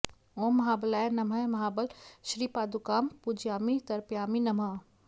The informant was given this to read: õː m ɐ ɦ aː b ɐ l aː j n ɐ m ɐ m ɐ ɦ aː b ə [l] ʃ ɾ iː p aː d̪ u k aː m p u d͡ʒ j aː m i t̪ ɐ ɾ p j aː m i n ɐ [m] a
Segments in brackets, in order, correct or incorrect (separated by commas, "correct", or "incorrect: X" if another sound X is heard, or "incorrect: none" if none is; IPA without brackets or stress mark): correct, correct